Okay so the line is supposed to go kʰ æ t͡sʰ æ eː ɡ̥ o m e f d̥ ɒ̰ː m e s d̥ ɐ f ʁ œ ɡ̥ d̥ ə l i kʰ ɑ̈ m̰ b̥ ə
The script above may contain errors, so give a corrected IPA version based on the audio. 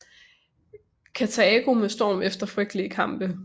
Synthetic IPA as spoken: kʰ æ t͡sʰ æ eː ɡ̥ o m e s d̥ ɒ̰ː m e f d̥ ɐ f ʁ œ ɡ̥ d̥ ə l i kʰ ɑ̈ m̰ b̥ ə